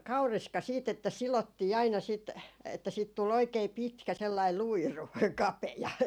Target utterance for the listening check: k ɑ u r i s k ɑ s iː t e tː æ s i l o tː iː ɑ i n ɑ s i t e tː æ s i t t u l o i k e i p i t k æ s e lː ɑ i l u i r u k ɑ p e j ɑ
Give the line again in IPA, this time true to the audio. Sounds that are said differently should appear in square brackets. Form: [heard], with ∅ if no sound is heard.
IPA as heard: k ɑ u r i s k ɑ s iː t e tː æ s i l o tː iː ɑ i n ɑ s i t e tː æ s [iː] t t u l o i k e i p i t k æ s e lː ɑ i l u i r u k ɑ p e j ɑ